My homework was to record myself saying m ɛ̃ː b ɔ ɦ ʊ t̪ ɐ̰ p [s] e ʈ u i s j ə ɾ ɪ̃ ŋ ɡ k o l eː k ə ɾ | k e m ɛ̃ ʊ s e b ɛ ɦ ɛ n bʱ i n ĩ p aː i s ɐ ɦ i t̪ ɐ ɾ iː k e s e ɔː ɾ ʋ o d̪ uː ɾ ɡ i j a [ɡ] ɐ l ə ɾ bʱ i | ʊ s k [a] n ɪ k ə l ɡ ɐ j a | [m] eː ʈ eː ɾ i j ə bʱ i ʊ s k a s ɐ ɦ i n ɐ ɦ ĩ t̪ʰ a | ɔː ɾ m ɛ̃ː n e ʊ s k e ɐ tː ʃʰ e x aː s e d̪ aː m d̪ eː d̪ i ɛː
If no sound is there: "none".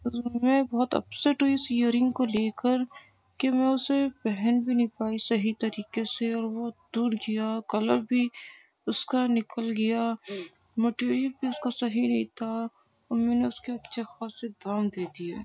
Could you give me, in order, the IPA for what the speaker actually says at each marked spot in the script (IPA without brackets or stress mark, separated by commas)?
s, k, a, m